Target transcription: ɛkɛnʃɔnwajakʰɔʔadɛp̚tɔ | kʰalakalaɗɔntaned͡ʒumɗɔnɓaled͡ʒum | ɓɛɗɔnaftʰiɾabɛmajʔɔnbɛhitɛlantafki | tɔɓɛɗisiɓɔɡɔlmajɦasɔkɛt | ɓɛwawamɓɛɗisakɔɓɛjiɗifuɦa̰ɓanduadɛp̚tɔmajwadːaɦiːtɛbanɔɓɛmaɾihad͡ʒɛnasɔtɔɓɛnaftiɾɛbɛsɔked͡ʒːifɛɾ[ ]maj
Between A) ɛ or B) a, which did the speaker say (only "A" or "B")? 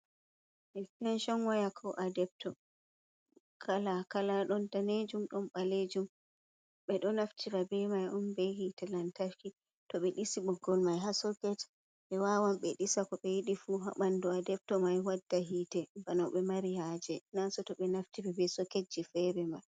A